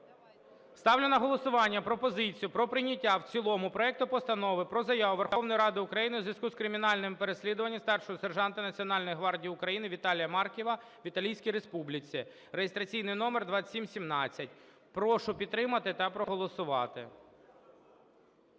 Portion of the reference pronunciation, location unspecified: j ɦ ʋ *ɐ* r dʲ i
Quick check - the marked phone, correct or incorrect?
incorrect